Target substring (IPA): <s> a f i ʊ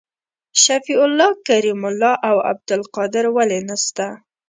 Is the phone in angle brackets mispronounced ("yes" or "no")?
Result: yes